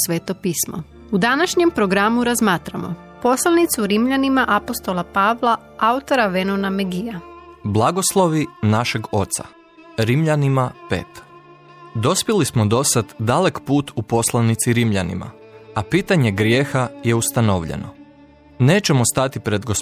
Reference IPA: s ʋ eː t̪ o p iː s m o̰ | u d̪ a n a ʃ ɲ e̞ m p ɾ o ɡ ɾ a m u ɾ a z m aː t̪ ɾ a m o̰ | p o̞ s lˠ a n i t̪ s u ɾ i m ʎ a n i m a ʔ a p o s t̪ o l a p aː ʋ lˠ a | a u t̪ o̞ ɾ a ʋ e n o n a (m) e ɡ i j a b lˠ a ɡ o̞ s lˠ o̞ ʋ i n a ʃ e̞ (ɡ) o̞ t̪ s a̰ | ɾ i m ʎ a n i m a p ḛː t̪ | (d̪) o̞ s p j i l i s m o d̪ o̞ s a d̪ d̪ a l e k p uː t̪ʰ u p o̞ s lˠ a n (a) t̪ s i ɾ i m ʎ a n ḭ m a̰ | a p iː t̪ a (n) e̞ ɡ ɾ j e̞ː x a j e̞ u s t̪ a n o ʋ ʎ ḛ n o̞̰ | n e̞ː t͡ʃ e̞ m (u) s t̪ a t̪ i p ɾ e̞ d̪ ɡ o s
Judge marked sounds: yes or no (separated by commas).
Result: yes, yes, yes, no, no, no